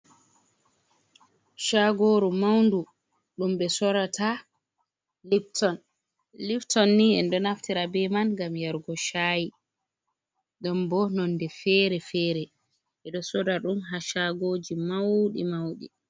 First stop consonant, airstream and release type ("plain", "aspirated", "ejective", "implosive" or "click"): plain